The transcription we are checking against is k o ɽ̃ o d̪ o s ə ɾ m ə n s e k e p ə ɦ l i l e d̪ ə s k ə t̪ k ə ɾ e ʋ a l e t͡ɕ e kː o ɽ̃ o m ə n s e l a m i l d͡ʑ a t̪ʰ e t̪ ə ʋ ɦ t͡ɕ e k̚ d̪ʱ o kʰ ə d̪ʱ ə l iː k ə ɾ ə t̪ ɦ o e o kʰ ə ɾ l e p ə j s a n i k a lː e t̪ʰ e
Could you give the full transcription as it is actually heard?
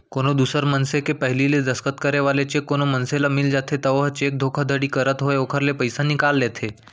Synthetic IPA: k o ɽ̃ o d̪ u s ə ɾ m ə n s e k e p ə ɦ l i l e d̪ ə s k ə t̪ k ə ɾ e ʋ a l e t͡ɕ e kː o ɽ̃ o m ə n s e l a m i l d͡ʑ a t̪ʰ e t̪ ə ʋ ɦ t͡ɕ e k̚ d̪ʱ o kʰ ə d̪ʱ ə ɽ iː k ə ɾ ə t̪ ɦ o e o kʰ ə ɾ l e p ə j s a n i k a lː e t̪ʰ e